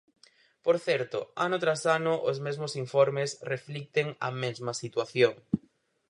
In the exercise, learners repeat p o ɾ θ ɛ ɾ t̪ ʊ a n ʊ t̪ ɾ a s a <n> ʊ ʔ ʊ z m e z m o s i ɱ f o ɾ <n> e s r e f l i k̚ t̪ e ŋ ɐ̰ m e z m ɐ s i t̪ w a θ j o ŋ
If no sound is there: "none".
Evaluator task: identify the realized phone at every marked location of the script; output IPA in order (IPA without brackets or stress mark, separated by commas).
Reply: n, m